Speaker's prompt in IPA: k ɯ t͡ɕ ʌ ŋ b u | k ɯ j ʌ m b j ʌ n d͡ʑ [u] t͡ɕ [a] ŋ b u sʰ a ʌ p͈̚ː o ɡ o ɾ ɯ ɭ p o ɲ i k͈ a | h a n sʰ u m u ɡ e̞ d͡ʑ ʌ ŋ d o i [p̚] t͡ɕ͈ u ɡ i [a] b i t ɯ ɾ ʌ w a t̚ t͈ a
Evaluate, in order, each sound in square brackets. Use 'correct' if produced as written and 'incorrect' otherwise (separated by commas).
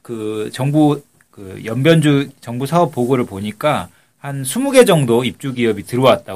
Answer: correct, incorrect, correct, incorrect